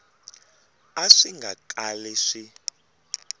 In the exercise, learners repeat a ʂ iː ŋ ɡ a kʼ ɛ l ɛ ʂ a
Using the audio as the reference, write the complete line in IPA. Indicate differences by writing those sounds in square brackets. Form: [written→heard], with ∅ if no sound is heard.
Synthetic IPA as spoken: a ʂ [iː→i] ŋ ɡ a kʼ [ɛ→a] l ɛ ʂ [a→i]